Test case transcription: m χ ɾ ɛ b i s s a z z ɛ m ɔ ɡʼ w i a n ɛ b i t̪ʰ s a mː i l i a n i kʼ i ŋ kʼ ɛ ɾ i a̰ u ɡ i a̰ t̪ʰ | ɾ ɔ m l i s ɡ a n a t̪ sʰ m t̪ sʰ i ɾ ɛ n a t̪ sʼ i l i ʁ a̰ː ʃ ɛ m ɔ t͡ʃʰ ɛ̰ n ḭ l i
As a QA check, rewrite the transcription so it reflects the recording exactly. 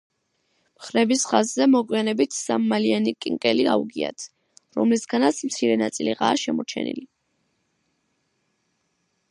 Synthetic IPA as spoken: m χ ɾ ɛ b i s χ a z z ɛ m ɔ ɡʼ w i a n ɛ b i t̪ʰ s a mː a l i a n i kʼ i ŋ kʼ ɛ l i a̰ u ɡ i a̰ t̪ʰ | ɾ ɔ m l i s ɡ a n a t̪ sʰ m t̪ sʰ i ɾ ɛ n a t̪ sʼ i l i ʁ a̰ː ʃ ɛ m ɔ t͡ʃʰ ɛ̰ n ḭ l i

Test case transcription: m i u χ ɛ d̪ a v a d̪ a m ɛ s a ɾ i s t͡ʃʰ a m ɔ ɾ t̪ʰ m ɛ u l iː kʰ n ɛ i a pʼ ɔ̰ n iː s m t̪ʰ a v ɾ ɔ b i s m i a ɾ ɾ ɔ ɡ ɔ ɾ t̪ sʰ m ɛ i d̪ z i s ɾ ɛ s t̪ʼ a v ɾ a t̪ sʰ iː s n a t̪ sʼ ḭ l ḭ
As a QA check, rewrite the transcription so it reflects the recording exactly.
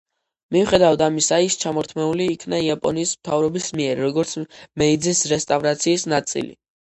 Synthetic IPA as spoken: m i u χ ɛ d̪ a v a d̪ a m i s a i s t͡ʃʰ a m ɔ ɾ t̪ʰ m ɛ u l iː kʰ n a i a pʼ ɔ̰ n iː s m t̪ʰ a v ɾ ɔ b i s m i ɛ ɾ ɾ ɔ ɡ ɔ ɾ t̪ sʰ m ɛ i d̪ z i s ɾ ɛ s t̪ʼ a v ɾ a t̪ sʰ iː s n a t̪ sʼ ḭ l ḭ

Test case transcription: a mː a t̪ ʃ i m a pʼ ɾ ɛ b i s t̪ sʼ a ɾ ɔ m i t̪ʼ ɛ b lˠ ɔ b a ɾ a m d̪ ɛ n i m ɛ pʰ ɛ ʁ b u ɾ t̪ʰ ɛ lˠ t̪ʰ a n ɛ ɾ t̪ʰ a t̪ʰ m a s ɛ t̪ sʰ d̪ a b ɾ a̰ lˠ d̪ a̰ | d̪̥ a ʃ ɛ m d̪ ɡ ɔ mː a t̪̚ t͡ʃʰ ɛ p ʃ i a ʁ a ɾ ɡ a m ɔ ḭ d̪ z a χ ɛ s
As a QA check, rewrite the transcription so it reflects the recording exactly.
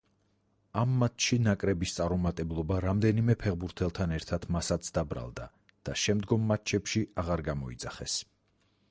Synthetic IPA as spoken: a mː a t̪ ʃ i n a kʼ ɾ ɛ b i s t̪ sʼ a ɾ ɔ m a t̪ʼ ɛ b lˠ ɔ b a ɾ a m d̪ ɛ n i m ɛ pʰ ɛ ʁ b u ɾ t̪ʰ ɛ lˠ t̪ʰ a n ɛ ɾ t̪ʰ a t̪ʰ m a s a t̪ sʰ d̪ a b ɾ a̰ lˠ d̪ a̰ | d̪̥ a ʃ ɛ m d̪ ɡ ɔ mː a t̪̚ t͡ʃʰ ɛ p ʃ i a ʁ a ɾ ɡ a m ɔ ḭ d̪ z a χ ɛ s

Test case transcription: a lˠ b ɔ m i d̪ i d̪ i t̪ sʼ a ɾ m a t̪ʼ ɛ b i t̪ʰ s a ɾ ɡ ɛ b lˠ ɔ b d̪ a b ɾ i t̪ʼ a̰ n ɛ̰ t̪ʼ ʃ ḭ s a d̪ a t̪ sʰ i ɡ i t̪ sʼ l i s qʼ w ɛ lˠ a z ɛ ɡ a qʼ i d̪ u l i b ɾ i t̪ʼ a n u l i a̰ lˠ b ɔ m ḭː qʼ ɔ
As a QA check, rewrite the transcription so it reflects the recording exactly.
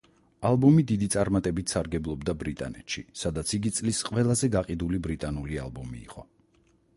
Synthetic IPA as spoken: a lˠ b ɔ m i d̪ i d̪ i t̪ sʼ a ɾ m a t̪ʼ ɛ b i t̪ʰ s a ɾ ɡ ɛ b lˠ ɔ b d̪ a b ɾ i t̪ʼ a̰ n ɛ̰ t̪ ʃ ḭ s a d̪ a t̪ sʰ i ɡ i t̪ sʼ l i s qʼ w ɛ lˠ a z ɛ ɡ a qʼ i d̪ u l i b ɾ i t̪ʼ a n u l i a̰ lˠ b ɔ m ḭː qʼ ɔ

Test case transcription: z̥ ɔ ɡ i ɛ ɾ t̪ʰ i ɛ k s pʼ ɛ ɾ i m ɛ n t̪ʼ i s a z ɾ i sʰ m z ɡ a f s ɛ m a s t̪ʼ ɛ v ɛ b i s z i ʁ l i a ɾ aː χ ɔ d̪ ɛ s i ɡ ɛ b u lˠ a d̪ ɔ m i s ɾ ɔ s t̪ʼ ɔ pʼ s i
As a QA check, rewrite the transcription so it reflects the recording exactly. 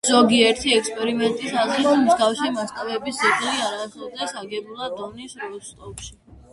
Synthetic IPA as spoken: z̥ ɔ ɡ i ɛ ɾ t̪ʰ i ɛ k s pʼ ɛ ɾ i m ɛ n t̪ʼ i s a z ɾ i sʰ m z ɡ a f s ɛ m a s t̪ʼ a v ɛ b i s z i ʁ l i a ɾ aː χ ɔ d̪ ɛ s a ɡ ɛ b u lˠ a d̪ ɔ n i s ɾ ɔ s t̪ʼ ɔ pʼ ʃ i

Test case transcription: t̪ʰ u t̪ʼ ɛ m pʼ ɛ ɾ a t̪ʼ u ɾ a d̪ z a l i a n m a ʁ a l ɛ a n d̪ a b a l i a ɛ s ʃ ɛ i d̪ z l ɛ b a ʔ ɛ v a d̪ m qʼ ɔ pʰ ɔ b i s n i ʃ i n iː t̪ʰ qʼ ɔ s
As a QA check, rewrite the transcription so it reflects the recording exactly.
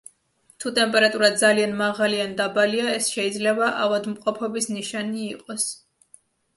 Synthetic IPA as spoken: t̪ʰ u t̪ʼ ɛ m pʼ ɛ ɾ a t̪ʼ u ɾ a d̪ z a l i a n m a ʁ a l i a n d̪ a b a l i a ɛ s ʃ ɛ i d̪ z l ɛ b a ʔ a v a d̪ m qʼ ɔ pʰ ɔ b i s n i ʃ a n iː qʼ ɔ s

